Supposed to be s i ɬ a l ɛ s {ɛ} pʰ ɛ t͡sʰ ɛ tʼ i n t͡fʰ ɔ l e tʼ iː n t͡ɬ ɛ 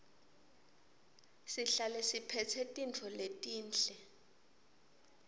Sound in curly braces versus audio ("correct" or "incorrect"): incorrect